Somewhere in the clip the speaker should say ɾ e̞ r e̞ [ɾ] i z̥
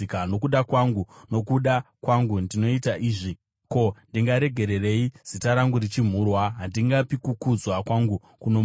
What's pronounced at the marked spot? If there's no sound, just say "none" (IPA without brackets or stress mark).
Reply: none